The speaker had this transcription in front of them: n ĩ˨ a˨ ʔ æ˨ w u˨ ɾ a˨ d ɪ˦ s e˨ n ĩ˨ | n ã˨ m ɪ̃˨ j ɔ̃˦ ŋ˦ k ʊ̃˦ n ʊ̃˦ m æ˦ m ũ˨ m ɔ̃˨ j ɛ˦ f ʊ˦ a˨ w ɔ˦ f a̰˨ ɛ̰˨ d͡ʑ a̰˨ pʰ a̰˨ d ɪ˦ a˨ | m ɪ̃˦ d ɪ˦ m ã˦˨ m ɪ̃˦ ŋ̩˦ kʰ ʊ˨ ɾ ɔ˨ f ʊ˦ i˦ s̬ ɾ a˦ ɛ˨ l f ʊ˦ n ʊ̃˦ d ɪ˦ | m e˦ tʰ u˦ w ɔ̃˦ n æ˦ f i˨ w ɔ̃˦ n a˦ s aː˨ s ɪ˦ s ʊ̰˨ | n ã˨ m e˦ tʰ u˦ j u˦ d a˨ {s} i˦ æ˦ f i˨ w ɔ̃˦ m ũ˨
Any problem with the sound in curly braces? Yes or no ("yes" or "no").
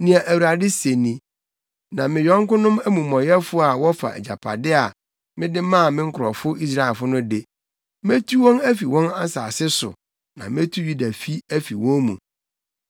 yes